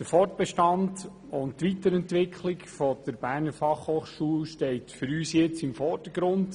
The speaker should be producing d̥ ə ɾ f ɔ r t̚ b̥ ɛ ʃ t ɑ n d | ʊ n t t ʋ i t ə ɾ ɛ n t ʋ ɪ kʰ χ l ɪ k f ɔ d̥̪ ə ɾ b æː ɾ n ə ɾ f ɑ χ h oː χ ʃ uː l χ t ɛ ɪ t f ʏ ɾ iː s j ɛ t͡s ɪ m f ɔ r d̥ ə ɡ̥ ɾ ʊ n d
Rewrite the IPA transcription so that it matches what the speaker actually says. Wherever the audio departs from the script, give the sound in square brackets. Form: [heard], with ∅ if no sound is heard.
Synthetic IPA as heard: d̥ ə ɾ f ɔ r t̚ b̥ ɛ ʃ t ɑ n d | ʊ n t t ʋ i t ə ɾ ɛ n t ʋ ɪ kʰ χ l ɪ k f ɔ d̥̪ ə ɾ b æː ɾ n ə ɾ f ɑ χ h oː χ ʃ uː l [ʃ] t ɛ ɪ t f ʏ ɾ [yː] s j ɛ t͡s ɪ m f ɔ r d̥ ə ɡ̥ ɾ ʊ n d